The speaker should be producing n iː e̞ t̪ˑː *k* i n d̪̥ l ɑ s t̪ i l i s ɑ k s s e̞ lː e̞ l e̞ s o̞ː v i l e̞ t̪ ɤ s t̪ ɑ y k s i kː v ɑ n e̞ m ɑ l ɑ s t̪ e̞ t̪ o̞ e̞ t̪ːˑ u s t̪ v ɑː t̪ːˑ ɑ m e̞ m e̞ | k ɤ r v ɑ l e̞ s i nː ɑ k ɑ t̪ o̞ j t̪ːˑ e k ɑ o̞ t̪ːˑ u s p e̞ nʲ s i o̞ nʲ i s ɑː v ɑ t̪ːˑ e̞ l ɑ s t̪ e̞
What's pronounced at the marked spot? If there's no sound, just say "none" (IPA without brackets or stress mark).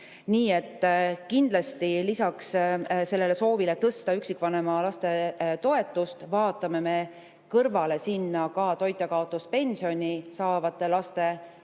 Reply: k